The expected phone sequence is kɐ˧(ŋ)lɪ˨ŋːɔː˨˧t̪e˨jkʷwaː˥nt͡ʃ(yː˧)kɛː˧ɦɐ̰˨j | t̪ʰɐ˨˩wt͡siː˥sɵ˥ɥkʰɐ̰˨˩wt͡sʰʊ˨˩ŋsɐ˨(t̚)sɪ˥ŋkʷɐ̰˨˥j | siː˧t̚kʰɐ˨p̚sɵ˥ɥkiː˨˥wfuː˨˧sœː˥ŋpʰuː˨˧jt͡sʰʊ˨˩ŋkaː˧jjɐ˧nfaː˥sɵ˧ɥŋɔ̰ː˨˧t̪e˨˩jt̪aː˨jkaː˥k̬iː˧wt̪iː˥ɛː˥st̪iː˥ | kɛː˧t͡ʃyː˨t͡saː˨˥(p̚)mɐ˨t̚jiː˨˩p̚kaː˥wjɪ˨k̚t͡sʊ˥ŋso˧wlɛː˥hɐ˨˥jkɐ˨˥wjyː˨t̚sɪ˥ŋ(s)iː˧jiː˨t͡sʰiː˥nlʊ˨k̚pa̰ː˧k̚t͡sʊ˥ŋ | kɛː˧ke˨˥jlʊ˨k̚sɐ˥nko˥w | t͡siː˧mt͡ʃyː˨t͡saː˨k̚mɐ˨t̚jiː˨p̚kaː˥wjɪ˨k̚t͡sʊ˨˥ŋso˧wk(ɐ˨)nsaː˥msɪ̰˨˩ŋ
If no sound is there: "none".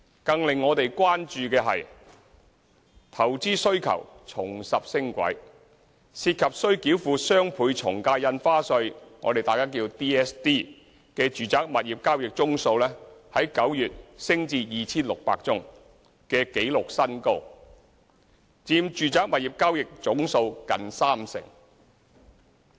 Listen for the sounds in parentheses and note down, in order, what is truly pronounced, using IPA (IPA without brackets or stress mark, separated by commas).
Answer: ŋ, yː˧, p̚, k̚, t͡s, ɐ˨